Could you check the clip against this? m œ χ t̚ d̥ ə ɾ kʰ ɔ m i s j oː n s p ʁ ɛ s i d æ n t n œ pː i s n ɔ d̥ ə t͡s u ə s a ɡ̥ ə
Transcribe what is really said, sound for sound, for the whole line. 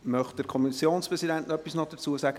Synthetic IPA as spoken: m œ χ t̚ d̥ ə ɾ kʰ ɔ m i s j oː n s p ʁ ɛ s i d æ n t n œ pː i s n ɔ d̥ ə t͡s u ə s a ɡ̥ ə